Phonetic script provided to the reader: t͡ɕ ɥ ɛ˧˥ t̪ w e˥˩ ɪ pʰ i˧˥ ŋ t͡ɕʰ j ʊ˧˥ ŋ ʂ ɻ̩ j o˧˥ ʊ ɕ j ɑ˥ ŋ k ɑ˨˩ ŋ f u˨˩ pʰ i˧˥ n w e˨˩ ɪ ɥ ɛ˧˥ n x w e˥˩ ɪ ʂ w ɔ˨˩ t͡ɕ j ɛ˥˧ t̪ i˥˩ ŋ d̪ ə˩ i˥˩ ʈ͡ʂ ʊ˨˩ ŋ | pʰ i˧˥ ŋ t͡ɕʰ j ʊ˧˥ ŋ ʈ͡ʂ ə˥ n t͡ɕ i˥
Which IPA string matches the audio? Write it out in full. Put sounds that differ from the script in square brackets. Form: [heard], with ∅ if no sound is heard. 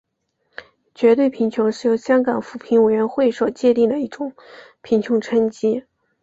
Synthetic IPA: t͡ɕ ɥ ɛ˧˥ t̪ w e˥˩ ɪ pʰ i˧˥ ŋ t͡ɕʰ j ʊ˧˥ ŋ ʂ ɻ̩ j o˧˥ ʊ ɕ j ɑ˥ ŋ k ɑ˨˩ ŋ f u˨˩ pʰ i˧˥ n w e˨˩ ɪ ɥ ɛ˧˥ n x w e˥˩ ɪ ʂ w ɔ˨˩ t͡ɕ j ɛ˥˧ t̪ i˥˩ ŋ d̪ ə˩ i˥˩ ʈ͡ʂ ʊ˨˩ ŋ | pʰ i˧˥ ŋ t͡ɕʰ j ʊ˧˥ ŋ [ʈ͡ʂʰ] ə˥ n t͡ɕ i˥